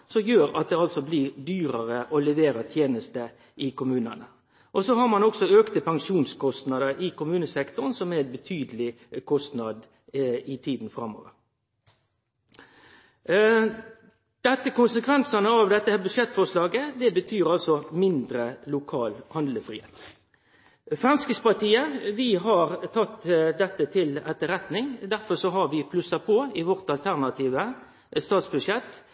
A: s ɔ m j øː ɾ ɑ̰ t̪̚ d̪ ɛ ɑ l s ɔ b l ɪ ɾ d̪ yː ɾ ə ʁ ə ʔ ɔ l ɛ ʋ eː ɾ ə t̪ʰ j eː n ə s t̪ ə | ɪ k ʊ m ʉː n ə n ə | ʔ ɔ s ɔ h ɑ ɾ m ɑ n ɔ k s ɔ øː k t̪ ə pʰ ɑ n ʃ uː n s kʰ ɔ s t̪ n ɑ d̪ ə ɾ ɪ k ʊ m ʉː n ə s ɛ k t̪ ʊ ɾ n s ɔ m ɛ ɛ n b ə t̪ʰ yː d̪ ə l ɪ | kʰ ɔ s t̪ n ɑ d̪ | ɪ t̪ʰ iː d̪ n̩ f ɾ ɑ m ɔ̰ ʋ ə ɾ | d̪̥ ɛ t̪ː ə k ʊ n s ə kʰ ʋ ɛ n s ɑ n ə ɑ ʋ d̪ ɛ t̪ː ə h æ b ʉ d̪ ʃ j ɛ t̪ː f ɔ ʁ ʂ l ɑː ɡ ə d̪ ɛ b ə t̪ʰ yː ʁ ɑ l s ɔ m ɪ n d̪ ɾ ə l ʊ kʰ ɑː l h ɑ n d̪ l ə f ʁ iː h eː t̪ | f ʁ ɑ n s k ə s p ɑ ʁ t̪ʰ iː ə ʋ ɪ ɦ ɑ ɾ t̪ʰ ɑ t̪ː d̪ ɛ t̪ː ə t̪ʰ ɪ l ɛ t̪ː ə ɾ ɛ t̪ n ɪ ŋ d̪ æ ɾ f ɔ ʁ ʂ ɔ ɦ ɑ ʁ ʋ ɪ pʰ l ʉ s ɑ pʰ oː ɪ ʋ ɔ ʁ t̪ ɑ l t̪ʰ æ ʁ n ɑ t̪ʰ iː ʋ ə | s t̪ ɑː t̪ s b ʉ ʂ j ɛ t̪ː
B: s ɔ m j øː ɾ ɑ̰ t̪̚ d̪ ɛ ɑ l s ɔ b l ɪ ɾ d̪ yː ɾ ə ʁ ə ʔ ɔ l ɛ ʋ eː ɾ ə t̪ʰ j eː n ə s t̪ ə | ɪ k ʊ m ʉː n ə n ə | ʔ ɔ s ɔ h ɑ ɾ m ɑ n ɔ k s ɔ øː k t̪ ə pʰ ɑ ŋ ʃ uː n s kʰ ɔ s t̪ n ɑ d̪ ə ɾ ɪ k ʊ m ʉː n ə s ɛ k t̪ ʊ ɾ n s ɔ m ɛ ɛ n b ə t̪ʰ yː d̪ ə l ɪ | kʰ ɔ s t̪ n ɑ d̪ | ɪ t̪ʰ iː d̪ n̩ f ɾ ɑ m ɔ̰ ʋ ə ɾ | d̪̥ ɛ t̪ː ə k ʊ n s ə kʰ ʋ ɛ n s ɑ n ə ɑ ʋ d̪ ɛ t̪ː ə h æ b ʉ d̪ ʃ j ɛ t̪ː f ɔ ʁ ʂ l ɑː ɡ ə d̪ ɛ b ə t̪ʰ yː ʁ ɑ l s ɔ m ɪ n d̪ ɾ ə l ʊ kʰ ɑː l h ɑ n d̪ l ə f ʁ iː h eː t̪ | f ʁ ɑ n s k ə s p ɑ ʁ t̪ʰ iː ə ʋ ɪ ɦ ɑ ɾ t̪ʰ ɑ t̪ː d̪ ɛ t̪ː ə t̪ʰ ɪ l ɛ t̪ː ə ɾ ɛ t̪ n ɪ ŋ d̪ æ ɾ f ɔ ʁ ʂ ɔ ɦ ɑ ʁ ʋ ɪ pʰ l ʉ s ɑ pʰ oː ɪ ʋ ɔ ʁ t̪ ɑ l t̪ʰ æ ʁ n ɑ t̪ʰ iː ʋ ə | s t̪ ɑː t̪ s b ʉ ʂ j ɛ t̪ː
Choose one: B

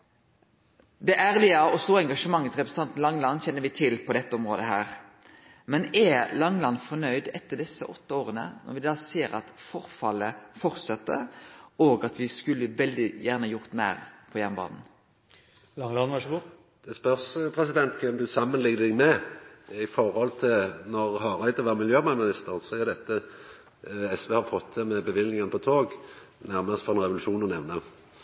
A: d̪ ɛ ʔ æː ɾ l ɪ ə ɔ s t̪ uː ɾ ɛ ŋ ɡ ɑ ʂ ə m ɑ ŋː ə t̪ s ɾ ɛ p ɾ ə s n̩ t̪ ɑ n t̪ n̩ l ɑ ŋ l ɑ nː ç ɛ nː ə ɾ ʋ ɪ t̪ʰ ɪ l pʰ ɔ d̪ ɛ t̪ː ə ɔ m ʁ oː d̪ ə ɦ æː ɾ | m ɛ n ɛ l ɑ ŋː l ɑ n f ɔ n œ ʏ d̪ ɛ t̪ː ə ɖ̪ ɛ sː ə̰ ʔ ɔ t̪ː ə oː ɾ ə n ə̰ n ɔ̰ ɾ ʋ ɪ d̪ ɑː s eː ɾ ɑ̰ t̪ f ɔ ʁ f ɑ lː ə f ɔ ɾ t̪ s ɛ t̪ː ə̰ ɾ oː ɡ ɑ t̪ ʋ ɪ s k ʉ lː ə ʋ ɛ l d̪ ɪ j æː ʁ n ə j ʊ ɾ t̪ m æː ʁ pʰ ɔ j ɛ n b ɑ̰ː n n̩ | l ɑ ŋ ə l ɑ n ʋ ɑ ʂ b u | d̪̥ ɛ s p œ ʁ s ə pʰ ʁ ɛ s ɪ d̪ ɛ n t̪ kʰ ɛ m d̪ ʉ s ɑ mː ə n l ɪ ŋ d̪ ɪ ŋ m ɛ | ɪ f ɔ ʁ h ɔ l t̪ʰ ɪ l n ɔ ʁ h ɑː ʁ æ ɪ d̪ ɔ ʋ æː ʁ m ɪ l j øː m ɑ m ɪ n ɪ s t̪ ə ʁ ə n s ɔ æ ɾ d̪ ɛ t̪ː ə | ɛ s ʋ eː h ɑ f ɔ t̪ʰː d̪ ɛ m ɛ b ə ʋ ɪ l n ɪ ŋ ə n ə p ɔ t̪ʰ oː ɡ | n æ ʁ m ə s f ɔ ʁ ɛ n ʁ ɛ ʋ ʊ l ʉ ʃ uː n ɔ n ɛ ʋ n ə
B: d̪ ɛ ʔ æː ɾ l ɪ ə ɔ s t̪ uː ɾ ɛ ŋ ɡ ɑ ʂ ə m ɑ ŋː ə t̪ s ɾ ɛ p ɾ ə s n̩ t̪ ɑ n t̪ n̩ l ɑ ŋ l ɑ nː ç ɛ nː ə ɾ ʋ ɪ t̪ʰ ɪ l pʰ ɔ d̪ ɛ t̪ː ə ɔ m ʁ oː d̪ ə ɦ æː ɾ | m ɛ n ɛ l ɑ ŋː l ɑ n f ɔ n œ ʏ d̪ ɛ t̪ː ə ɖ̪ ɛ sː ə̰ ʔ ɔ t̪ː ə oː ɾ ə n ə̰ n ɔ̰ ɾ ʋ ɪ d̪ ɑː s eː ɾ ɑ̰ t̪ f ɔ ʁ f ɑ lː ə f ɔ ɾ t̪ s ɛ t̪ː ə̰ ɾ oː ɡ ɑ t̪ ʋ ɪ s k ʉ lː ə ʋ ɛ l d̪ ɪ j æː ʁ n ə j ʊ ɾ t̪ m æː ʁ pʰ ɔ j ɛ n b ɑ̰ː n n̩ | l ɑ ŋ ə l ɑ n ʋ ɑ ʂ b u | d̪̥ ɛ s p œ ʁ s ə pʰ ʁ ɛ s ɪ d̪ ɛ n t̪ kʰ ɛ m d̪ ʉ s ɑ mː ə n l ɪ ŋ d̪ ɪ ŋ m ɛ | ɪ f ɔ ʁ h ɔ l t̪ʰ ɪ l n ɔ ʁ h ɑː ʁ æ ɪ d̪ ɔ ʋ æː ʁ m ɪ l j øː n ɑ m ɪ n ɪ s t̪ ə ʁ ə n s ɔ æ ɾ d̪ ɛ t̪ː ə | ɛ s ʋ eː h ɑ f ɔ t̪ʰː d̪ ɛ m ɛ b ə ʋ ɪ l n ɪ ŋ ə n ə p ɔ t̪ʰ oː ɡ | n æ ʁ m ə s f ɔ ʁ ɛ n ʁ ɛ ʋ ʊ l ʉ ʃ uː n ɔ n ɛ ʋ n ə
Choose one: A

